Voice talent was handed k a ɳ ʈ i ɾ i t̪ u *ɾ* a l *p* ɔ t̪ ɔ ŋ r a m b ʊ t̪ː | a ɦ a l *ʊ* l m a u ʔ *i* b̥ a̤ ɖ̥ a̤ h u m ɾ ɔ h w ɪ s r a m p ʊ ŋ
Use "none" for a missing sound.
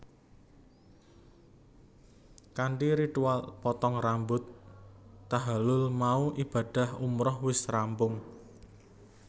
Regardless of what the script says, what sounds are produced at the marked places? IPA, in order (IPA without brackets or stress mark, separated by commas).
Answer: none, p, ʊ, i